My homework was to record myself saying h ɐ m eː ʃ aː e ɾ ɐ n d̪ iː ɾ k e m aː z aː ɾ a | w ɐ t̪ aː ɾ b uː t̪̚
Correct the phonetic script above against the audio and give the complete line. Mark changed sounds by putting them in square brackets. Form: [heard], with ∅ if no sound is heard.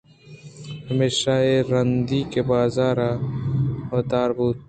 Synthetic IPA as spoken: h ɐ m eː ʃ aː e ɾ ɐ n d̪ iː [∅] k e [b] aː z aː ɾ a | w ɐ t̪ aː ɾ b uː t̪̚